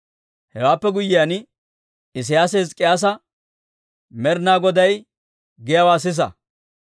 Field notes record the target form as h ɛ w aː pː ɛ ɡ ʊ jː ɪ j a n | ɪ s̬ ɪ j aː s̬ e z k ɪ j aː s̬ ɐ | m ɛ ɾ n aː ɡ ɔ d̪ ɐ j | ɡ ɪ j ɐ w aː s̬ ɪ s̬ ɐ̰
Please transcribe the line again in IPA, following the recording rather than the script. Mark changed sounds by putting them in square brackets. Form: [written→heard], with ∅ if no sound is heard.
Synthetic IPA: h ɛ w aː pː ɛ ɡ ʊ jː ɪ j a n | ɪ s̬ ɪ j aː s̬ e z [k→kʼ] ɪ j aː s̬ ɐ | m ɛ ɾ n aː ɡ ɔ d̪ ɐ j | ɡ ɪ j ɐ w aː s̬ ɪ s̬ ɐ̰